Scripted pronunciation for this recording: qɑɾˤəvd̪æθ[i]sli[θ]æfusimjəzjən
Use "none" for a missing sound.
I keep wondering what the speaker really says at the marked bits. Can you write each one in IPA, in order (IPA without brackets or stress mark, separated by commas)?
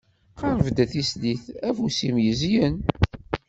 i, θ